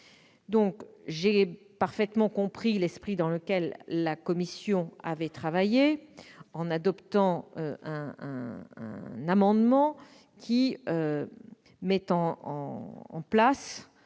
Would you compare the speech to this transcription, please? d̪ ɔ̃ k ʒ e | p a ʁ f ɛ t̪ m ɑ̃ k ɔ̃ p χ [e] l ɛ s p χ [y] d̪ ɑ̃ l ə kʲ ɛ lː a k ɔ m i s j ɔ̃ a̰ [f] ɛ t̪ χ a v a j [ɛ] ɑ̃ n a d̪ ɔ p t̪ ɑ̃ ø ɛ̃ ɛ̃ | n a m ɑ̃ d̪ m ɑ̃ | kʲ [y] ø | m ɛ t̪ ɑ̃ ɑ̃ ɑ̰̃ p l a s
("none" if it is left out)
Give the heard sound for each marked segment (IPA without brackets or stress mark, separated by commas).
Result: i, i, v, e, i